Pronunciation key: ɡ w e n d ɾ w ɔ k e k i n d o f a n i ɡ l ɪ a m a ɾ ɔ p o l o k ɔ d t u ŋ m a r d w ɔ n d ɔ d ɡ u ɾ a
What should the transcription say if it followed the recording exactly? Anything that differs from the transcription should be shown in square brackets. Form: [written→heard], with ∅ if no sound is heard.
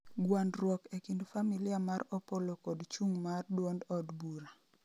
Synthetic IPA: ɡ w [e→a] n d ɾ w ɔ k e k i n d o f a [n→m] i [ɡ→∅] l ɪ a m a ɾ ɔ p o l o k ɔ d [t→t͡ʃ] u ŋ m a r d w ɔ n d ɔ d [ɡ→b] u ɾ a

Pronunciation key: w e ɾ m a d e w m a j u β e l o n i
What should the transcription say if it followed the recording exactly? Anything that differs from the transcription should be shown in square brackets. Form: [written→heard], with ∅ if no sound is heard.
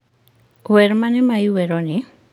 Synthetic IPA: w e ɾ m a [d→n] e [w→∅] m a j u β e [l→ɾ] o n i

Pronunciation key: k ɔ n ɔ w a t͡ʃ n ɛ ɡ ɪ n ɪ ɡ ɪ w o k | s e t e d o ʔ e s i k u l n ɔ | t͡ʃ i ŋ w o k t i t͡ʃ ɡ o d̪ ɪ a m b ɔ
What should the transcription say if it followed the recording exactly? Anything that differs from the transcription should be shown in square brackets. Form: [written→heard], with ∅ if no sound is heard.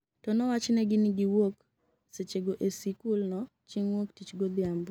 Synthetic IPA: [k→t] ɔ n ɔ w a t͡ʃ n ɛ ɡ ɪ n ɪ ɡ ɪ w o k | s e [t→t͡ʃ] e [d→ɡ] o ʔ e s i k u l n ɔ | t͡ʃ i ŋ w o k t i t͡ʃ ɡ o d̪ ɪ a m b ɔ

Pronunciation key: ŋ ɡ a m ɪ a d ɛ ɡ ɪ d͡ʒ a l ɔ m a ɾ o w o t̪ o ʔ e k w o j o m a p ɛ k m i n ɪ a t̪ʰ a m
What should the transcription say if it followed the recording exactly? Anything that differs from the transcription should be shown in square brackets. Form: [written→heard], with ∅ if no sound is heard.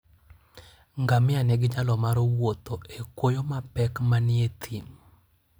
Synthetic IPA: ŋ ɡ a m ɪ a [d→n] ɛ ɡ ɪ d͡ʒ a l ɔ m a ɾ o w o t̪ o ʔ e k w o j o m a p ɛ k m [i→a] n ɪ [a→e] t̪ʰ [a→i] m

